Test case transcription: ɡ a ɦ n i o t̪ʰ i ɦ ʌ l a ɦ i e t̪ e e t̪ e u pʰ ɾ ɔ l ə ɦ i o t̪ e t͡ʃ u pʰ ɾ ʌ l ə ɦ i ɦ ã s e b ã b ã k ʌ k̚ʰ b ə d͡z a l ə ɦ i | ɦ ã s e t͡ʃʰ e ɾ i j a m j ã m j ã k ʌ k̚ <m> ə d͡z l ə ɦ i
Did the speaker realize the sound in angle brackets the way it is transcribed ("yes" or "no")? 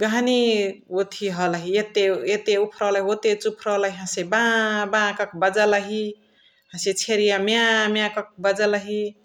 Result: no